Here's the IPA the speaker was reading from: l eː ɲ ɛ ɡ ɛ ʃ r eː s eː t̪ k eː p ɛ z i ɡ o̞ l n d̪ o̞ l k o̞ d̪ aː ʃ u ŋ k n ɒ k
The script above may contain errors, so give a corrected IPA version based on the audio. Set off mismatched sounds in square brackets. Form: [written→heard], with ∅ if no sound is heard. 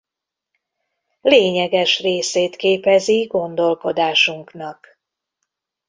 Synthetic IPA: l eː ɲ ɛ ɡ ɛ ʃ r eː s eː t̪ k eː p ɛ z i ɡ o̞ [l→∅] n d̪ o̞ l k o̞ d̪ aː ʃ u ŋ k n ɒ k